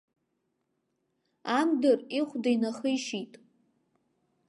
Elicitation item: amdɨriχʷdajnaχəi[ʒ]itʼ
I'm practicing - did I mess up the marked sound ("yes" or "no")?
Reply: yes